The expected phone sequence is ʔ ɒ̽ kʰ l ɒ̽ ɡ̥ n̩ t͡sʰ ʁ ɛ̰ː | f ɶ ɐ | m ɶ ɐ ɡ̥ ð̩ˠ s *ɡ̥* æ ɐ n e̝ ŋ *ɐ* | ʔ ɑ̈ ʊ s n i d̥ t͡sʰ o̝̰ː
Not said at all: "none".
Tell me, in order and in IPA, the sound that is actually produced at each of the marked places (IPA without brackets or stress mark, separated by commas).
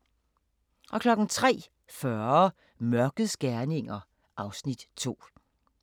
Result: ɡ̥, ɐ